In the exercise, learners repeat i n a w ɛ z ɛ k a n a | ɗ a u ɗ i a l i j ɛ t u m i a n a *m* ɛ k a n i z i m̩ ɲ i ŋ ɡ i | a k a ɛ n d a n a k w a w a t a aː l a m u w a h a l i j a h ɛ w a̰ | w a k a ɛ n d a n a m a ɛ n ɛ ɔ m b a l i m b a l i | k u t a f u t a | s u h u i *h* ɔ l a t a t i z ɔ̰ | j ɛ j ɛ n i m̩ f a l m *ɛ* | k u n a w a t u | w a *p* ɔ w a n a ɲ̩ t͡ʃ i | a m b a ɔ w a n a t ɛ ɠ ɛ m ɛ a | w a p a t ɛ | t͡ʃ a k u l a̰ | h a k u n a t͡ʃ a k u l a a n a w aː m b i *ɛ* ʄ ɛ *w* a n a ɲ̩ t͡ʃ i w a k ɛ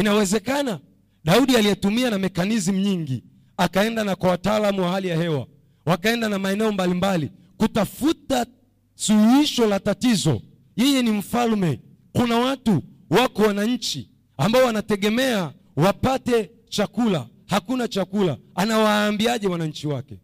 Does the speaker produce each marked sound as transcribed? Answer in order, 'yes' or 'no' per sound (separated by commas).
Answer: yes, no, yes, no, no, yes